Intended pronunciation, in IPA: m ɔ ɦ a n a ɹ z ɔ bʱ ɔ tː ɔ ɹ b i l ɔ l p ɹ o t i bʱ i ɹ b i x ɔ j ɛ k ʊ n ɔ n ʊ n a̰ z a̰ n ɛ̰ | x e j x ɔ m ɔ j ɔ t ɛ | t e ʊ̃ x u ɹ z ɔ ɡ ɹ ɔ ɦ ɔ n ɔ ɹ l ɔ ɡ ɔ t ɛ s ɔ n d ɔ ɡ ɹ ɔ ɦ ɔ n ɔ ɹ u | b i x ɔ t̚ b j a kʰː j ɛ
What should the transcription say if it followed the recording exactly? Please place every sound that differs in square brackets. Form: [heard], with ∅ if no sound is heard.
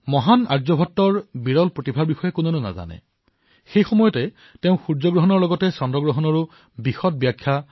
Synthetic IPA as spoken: m ɔ ɦ a n a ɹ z ɔ bʱ ɔ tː ɔ ɹ b i [ɹ] ɔ l p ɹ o t i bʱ [a] ɹ b i x ɔ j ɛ k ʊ n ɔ n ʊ n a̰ z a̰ n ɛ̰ | x e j x ɔ m ɔ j ɔ t ɛ | t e ʊ̃ x u ɹ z ɔ ɡ ɹ ɔ ɦ ɔ n ɔ ɹ l ɔ ɡ ɔ t ɛ s ɔ n d ɔ ɡ ɹ ɔ ɦ ɔ n ɔ ɹ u | b i x ɔ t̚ b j a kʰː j [a]